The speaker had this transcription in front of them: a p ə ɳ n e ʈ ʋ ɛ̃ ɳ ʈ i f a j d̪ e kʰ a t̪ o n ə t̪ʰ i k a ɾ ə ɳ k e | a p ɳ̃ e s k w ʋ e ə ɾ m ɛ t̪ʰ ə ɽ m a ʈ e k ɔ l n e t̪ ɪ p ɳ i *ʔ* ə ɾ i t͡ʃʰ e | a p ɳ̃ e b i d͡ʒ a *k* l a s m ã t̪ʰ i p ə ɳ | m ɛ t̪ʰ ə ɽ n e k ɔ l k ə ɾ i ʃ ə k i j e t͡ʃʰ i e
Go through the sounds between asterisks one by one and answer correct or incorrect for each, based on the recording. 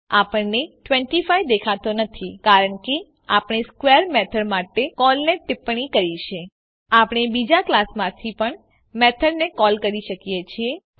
incorrect: k, correct

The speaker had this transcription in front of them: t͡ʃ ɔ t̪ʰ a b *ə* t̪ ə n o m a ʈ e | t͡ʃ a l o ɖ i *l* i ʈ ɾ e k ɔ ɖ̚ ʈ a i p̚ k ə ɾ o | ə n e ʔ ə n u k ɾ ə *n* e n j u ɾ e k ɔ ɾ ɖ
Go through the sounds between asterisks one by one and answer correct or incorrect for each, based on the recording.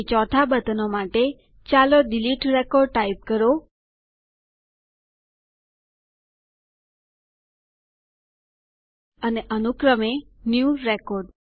correct, correct, incorrect: m

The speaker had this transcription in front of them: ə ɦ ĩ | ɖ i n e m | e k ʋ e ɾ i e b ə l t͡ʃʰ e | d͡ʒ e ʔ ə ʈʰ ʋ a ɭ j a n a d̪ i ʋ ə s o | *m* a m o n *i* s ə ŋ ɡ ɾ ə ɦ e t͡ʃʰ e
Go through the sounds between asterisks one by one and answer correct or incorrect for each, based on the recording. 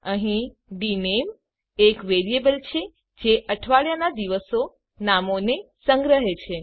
incorrect: n, incorrect: e

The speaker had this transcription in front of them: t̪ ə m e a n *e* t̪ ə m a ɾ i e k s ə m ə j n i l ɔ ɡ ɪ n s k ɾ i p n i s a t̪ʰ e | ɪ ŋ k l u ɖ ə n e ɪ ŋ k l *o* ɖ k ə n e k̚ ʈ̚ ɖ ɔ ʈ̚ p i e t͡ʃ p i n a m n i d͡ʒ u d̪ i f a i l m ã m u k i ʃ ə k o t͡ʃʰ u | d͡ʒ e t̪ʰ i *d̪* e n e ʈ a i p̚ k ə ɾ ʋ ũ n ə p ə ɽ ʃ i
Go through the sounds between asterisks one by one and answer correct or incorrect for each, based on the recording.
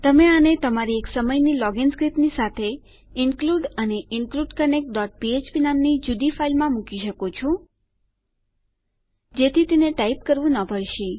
correct, incorrect: u, incorrect: t̪

